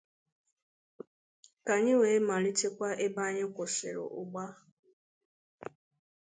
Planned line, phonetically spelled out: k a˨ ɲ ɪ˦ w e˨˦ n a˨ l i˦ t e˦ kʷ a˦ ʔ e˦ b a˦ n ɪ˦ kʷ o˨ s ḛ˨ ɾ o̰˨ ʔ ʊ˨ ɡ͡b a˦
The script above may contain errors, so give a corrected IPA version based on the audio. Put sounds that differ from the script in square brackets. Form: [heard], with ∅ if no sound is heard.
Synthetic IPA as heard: k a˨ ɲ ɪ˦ w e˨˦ [m] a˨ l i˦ t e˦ kʷ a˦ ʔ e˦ b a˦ [ɲ] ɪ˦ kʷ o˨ s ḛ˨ ɾ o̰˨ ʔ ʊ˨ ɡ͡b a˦